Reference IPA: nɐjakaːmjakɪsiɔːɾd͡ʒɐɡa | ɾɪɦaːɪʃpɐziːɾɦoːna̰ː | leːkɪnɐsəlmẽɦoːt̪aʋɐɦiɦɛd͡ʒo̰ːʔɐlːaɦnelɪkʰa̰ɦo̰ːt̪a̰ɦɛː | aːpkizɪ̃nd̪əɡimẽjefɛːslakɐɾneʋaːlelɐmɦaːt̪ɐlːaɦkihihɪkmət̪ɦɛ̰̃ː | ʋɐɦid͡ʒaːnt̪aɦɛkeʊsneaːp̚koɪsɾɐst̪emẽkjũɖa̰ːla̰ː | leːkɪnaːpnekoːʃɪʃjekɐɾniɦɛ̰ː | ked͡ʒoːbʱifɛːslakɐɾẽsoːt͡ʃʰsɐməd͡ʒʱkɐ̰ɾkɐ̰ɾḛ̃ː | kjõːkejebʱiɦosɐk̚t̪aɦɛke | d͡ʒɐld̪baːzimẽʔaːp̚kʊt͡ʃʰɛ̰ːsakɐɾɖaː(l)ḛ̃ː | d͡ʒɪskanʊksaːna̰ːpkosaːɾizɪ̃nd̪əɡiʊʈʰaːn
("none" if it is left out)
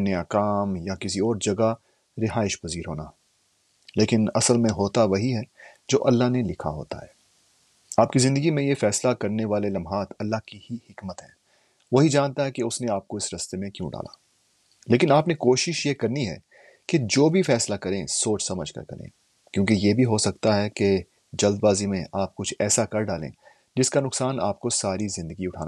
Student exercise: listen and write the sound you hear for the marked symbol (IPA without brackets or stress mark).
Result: l